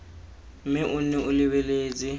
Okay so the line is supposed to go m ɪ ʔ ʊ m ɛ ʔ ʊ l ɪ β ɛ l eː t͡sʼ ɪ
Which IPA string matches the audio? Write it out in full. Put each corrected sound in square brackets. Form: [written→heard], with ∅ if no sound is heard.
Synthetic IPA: m ɪ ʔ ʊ [m→n] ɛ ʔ ʊ l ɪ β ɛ l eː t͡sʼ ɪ